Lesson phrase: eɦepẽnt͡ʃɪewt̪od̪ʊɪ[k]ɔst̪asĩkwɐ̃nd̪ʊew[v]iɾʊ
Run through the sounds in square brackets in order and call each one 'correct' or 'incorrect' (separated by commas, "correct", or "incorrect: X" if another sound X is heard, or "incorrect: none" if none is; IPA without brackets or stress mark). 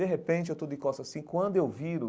correct, correct